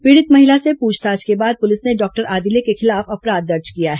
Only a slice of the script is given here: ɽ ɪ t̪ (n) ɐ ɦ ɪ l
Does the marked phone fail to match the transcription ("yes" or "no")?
yes